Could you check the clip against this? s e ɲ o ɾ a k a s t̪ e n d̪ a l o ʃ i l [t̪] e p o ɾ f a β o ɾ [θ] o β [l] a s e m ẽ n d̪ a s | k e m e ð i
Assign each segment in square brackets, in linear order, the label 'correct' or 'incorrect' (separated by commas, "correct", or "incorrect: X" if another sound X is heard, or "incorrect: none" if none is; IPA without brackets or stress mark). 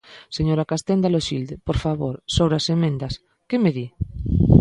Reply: incorrect: d̪, incorrect: s, incorrect: ɾ